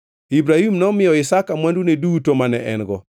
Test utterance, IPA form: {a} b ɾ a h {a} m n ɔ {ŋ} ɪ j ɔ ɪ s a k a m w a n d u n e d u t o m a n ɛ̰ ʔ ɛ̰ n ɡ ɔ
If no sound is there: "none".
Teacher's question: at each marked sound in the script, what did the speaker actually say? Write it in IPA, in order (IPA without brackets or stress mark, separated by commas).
i, i, m